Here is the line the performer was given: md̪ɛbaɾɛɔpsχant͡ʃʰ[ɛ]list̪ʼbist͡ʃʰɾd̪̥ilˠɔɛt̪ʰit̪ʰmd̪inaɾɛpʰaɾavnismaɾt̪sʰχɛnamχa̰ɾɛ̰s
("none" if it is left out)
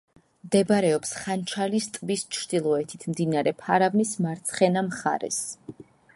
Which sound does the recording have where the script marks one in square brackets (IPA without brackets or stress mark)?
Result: a